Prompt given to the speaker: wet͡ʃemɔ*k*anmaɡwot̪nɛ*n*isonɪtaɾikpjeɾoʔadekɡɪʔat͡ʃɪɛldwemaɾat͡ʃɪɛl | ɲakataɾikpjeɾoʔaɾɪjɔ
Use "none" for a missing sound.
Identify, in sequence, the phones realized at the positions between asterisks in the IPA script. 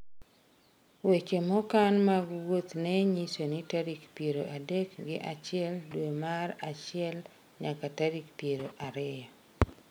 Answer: k, ɲ

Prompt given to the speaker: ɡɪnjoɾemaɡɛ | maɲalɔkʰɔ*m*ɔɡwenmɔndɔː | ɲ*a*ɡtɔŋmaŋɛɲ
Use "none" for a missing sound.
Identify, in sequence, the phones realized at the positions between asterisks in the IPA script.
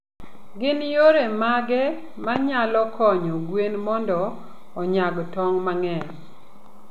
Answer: ɲ, a

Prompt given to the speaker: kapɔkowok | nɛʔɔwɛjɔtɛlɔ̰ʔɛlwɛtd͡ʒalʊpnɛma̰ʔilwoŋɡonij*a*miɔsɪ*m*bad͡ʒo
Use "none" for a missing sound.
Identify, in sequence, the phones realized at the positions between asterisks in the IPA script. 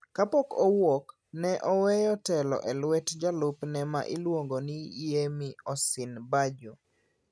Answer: e, n

